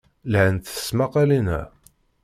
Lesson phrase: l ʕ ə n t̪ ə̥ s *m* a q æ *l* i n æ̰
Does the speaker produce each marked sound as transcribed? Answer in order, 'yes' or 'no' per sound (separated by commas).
yes, yes